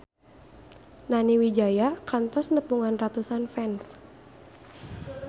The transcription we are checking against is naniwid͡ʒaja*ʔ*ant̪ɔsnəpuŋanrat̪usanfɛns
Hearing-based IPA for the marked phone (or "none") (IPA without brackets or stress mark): k